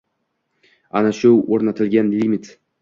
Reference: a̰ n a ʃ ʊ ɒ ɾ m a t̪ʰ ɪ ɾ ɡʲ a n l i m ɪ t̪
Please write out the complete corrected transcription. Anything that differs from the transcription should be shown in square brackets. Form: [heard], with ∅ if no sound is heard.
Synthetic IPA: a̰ n a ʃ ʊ [o] ɾ [n] a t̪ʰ ɪ [l] ɡʲ a n l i m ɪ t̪